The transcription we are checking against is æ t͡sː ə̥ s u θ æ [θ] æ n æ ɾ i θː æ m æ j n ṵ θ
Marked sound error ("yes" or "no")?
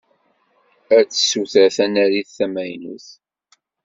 no